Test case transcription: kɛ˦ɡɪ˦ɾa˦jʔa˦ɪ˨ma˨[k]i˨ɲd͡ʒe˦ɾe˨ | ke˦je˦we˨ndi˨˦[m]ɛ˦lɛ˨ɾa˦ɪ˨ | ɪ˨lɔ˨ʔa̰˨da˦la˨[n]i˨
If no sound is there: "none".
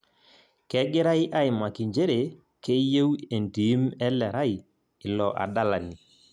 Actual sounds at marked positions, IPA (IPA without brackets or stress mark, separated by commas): k, m, n